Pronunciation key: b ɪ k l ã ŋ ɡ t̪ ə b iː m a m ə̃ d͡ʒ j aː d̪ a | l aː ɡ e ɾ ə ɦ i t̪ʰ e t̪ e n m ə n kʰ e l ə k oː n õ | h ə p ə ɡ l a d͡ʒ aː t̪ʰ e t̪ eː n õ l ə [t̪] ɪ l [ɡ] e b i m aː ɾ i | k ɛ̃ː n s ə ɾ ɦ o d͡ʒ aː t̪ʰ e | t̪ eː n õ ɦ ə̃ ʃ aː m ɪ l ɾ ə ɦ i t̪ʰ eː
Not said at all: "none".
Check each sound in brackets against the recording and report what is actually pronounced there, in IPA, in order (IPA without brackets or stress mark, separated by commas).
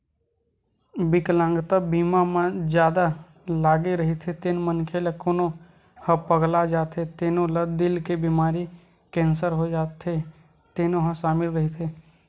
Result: d̪, k